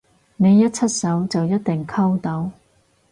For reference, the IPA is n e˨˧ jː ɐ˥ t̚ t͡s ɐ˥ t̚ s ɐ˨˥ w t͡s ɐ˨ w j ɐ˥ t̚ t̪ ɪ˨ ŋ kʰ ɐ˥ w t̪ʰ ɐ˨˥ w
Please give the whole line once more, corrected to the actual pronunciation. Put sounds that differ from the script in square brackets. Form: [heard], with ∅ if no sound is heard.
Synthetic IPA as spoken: n e˨˧ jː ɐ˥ t̚ [t͡sʰ] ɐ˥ t̚ s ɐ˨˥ w t͡s ɐ˨ w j ɐ˥ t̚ t̪ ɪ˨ ŋ kʰ ɐ˥ w [t̪] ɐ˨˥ w